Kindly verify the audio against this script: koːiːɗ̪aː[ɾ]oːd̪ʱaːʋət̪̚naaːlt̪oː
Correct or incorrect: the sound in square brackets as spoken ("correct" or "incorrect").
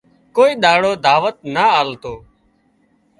incorrect